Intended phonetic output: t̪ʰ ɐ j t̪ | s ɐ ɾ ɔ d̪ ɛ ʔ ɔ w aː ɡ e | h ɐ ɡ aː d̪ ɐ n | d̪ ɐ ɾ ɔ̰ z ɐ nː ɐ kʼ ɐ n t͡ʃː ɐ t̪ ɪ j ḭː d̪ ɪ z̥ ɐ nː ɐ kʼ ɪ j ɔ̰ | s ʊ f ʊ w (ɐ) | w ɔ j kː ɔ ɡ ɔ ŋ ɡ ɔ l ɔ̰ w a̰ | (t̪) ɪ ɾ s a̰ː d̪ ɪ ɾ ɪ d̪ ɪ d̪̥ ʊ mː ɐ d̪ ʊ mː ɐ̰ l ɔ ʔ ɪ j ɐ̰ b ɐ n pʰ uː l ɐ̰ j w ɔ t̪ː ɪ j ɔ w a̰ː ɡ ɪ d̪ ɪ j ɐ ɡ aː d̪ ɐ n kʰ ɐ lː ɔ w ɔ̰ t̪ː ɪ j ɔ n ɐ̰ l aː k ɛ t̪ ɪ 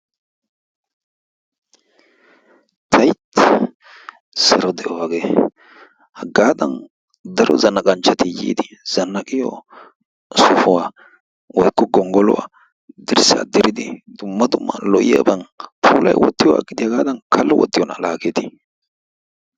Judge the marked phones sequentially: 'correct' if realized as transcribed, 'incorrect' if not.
incorrect: a, incorrect: d̪

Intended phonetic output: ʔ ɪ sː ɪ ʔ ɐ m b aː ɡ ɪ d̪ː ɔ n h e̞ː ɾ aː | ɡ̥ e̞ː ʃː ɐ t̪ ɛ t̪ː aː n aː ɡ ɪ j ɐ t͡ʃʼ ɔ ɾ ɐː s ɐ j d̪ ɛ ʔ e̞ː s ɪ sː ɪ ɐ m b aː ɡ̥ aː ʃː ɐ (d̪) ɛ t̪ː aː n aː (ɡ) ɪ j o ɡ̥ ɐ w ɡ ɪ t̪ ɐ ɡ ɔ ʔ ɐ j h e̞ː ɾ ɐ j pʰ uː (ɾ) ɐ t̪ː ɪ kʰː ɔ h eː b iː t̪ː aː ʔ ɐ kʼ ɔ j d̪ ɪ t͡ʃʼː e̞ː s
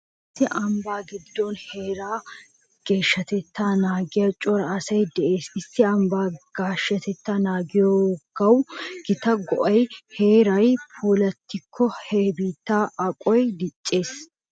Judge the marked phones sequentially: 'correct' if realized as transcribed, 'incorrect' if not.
incorrect: t̪, correct, incorrect: l

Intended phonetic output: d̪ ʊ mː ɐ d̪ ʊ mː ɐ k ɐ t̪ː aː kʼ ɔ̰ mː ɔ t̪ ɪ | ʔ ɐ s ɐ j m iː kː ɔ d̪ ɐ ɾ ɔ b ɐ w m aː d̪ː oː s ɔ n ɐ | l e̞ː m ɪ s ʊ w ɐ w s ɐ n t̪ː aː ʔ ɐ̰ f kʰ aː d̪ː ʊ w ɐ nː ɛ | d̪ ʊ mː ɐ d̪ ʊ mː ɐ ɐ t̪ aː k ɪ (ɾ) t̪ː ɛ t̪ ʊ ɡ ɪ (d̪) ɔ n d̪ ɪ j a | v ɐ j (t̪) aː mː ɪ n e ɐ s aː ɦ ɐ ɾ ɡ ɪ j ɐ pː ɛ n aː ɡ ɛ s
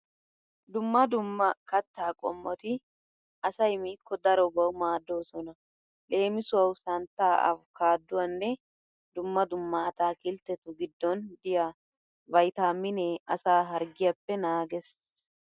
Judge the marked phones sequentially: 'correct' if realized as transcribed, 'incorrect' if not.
incorrect: l, incorrect: d̪ː, correct

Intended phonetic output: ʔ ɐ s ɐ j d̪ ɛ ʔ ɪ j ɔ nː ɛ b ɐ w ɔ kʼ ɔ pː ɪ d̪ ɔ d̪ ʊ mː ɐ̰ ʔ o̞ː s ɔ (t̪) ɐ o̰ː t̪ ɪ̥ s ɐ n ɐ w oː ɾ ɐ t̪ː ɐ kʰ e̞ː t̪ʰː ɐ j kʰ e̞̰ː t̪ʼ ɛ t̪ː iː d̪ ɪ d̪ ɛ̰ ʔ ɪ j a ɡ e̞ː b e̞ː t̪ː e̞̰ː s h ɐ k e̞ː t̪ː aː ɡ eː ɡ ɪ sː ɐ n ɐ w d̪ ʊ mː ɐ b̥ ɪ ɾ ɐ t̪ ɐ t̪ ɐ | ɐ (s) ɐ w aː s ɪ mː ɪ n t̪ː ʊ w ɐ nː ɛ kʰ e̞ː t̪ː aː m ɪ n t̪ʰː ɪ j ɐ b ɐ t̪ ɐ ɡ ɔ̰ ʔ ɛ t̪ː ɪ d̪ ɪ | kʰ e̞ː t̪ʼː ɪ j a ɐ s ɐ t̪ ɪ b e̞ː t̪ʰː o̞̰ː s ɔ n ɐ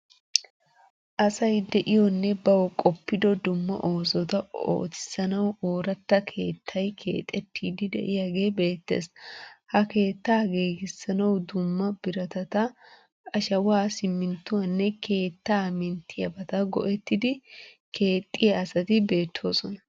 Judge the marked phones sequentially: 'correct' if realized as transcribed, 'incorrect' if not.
correct, incorrect: ʃ

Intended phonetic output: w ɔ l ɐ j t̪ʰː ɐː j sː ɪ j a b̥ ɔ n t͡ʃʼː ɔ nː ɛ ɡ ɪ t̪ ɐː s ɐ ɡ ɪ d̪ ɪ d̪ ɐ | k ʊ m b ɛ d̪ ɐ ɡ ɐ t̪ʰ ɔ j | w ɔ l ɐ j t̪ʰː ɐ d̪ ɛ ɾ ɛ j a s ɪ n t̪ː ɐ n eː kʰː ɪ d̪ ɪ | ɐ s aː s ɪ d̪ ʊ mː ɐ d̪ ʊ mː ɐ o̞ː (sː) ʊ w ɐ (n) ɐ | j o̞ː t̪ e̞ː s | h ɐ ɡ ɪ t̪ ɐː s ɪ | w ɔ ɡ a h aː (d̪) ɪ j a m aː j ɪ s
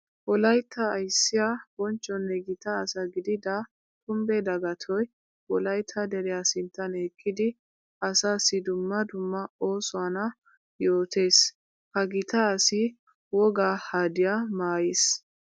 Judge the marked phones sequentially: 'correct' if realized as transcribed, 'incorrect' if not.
incorrect: s, correct, correct

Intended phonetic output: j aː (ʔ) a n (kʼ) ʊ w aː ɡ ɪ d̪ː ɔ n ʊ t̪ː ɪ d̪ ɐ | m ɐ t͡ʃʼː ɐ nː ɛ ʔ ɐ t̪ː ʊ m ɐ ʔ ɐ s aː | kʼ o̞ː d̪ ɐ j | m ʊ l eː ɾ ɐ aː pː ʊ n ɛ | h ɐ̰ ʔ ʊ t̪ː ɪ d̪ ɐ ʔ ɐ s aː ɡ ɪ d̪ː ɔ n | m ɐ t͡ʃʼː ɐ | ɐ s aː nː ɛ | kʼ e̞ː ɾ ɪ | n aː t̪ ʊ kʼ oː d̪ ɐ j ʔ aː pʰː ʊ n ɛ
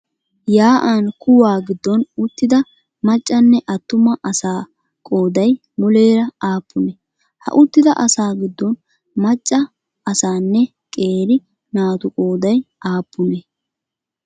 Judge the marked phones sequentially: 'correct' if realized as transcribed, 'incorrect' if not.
correct, incorrect: k

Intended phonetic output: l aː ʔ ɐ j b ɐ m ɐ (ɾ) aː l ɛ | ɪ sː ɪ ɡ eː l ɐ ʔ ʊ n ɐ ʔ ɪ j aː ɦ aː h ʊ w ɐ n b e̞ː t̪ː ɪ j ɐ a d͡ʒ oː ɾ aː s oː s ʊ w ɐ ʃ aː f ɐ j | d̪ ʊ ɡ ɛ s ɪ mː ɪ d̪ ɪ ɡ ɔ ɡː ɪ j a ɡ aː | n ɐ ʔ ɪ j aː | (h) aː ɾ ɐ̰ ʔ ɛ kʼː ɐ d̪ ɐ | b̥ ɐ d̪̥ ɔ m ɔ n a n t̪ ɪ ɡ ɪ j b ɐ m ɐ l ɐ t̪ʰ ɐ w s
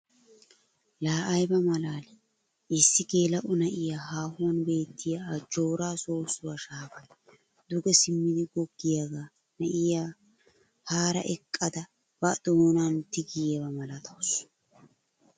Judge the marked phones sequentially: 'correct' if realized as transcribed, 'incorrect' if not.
incorrect: l, correct

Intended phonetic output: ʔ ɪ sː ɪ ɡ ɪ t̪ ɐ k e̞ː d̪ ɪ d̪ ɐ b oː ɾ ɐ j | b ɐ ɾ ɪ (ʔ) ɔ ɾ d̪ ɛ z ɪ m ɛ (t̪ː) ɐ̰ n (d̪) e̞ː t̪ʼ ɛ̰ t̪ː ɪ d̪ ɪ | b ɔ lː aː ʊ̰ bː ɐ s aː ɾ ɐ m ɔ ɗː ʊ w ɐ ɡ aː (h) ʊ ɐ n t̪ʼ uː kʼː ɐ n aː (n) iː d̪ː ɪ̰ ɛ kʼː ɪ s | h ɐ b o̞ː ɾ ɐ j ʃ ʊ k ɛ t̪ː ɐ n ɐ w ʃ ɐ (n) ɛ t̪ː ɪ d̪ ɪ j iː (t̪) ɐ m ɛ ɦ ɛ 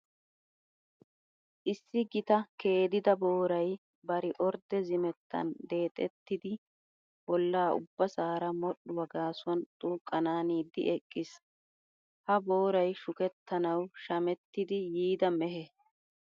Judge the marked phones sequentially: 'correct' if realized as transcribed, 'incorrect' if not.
correct, correct, correct, incorrect: s, correct, incorrect: m, incorrect: d̪

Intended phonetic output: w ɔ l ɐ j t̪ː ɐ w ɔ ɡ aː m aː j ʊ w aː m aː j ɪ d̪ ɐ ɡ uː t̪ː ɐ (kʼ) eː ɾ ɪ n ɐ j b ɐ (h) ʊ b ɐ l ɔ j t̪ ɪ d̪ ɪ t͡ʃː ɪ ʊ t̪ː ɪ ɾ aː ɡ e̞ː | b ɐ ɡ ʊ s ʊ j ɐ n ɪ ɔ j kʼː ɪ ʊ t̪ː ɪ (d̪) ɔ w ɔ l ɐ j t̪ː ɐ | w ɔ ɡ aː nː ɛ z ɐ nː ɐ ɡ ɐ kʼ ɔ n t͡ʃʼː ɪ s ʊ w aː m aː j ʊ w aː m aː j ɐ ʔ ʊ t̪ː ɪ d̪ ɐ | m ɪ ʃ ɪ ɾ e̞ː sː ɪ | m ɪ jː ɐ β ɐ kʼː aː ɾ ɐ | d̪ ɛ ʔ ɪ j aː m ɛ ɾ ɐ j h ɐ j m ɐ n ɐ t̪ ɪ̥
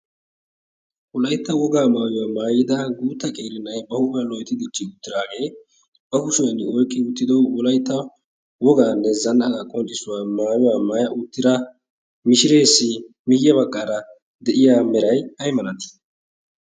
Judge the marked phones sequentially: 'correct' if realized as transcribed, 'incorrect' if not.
correct, correct, correct

